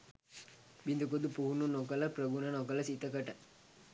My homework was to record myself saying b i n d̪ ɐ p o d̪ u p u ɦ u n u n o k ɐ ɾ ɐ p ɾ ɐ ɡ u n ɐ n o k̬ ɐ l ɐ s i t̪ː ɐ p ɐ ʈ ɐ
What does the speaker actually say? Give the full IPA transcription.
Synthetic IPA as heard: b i n d̪ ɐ k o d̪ u p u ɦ u n u n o k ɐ l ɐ p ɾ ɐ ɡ u n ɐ n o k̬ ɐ l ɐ s i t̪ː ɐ k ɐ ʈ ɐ